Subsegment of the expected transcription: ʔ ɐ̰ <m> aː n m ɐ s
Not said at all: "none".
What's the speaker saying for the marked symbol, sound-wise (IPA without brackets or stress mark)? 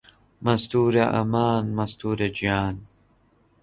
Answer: m